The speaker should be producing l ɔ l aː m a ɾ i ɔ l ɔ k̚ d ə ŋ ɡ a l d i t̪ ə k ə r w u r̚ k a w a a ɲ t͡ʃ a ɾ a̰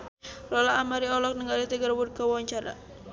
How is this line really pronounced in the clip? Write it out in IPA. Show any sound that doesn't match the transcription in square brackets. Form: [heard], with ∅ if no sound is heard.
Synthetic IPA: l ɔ l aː m a ɾ i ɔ l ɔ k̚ [n] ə ŋ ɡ a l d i t̪ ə [ɡ] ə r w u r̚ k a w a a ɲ t͡ʃ a ɾ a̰